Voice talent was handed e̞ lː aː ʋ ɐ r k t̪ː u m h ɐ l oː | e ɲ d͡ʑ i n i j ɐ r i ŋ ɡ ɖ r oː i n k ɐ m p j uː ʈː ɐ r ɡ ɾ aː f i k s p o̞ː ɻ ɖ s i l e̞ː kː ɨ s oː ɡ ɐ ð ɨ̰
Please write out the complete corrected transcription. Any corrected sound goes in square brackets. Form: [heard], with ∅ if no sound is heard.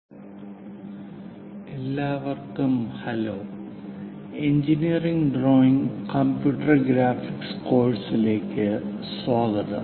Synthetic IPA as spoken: e̞ lː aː ʋ ɐ r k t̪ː u m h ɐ l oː | e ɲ d͡ʑ i n i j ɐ r i ŋ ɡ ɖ r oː i [ŋ] k ɐ m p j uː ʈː ɐ r ɡ ɾ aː f i k s [k] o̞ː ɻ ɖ s i l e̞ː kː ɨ s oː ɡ ɐ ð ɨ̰